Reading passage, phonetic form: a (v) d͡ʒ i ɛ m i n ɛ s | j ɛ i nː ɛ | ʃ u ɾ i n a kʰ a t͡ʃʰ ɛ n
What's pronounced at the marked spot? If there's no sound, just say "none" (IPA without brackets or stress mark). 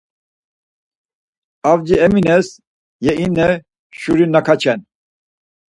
v